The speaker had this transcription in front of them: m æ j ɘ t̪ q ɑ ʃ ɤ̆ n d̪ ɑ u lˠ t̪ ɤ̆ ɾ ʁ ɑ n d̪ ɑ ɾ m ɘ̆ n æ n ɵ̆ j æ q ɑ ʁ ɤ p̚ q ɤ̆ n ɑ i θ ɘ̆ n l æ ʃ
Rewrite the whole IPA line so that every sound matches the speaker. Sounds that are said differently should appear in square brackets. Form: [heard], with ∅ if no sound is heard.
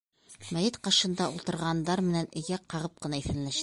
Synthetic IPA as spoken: m æ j ɘ t̪ q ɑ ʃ ɤ̆ n d̪ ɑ u lˠ t̪ ɤ̆ ɾ ʁ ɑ n d̪ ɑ ɾ m ɘ̆ n æ n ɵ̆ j æ q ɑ ʁ ɤ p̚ q ɤ̆ n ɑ i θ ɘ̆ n l æ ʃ